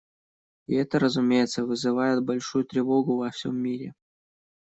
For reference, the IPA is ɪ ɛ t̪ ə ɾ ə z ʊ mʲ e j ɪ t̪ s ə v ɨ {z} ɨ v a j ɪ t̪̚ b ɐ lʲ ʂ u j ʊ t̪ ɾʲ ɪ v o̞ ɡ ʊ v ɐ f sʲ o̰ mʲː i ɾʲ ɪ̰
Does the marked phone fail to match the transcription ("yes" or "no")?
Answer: no